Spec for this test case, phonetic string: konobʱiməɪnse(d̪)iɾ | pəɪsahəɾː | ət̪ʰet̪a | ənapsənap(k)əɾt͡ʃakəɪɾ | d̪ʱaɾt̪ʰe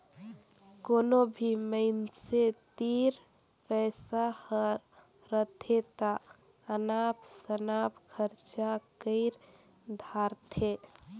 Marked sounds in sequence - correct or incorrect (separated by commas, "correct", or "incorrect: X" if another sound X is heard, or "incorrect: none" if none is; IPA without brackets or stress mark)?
incorrect: t̪, incorrect: kʰ